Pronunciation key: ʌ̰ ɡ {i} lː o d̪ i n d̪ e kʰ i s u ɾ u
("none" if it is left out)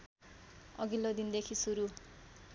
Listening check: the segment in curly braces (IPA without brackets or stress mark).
i